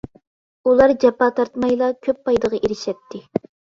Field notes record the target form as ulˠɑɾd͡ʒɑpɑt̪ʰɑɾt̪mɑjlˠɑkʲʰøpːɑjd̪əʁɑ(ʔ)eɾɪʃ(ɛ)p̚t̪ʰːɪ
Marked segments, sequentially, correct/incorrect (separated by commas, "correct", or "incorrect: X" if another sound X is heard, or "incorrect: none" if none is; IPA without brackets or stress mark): correct, correct